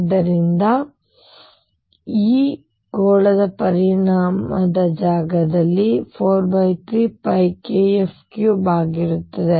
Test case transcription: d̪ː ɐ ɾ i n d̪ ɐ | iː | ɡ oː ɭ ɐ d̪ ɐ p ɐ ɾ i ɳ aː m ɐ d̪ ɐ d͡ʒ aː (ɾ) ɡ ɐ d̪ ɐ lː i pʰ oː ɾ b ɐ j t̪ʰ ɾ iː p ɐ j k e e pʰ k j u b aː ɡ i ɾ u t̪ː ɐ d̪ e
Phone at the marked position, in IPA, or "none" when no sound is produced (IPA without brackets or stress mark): none